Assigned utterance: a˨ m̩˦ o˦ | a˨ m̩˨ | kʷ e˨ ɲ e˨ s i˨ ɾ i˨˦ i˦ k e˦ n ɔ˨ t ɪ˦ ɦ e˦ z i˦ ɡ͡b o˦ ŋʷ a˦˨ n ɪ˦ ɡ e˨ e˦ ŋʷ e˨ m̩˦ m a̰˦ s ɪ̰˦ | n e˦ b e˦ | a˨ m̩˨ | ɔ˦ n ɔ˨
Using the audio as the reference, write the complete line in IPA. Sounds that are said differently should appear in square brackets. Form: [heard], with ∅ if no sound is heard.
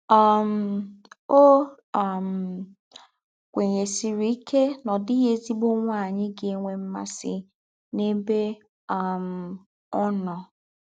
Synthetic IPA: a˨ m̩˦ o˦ | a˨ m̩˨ | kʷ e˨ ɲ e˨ s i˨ ɾ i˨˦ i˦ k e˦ n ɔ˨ [d] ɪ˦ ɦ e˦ z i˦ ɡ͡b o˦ ŋʷ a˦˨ [ɲ] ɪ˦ ɡ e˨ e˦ ŋʷ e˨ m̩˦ m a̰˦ s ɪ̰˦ | n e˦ b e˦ | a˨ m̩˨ | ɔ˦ n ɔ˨

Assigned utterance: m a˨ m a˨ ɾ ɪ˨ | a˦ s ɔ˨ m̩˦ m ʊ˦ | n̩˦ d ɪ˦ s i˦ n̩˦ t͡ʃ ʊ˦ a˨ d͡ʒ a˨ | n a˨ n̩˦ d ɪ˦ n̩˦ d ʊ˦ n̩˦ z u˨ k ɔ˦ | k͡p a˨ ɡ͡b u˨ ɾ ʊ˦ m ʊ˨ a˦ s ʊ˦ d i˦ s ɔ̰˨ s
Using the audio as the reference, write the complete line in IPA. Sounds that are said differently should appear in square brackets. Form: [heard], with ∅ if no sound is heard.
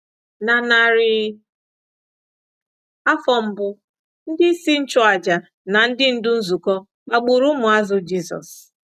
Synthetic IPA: [n] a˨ [n] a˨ ɾ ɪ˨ | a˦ [f] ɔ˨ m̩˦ [b] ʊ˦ | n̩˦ d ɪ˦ s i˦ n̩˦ t͡ʃ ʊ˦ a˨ d͡ʒ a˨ | n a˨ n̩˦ d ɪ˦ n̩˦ d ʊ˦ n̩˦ z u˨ k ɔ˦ | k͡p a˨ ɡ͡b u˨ ɾ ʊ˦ m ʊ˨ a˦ [z] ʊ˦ [d͡ʒ] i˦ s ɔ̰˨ s

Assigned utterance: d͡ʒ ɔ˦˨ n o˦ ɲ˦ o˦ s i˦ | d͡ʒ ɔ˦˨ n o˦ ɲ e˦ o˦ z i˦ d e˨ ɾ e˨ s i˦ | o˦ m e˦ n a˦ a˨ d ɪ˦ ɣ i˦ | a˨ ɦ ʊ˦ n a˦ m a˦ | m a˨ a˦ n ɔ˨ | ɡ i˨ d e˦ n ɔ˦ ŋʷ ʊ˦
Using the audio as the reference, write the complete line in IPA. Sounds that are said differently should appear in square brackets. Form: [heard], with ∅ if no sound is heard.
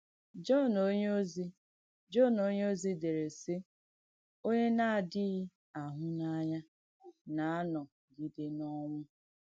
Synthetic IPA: d͡ʒ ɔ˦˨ n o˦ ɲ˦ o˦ [z] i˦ | d͡ʒ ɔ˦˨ n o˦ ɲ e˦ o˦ z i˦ d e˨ ɾ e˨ s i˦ | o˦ [ɲ] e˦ n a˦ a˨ d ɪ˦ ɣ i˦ | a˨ ɦ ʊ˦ n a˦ [ɲ] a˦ | [n] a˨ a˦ n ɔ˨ | ɡ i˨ d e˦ n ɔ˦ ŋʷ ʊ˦

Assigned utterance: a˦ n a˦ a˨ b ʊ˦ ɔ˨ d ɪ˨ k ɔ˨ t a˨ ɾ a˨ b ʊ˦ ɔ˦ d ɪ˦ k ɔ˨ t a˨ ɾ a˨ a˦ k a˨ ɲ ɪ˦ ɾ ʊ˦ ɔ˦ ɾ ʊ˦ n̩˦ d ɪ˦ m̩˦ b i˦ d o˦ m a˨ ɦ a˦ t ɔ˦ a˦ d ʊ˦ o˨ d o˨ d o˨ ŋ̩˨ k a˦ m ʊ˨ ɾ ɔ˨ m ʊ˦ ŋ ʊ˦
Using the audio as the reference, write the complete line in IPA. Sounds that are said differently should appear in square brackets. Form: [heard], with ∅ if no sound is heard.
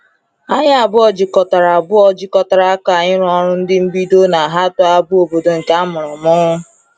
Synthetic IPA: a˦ [ɲ] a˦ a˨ b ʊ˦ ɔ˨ [d͡ʒ] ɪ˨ k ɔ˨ t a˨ ɾ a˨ b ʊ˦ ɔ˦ [d͡ʒ] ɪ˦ k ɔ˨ t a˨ ɾ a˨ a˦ k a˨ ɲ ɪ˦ ɾ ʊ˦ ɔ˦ ɾ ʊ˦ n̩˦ d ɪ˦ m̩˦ b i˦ d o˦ [n] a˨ ɦ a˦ t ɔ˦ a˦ [b] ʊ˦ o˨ [b] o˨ d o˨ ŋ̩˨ k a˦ m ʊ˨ ɾ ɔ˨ m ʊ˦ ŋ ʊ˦

